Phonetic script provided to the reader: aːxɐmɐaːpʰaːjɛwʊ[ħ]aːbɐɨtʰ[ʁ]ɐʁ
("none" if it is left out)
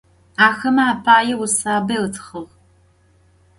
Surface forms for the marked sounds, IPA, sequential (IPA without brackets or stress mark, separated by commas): s, χ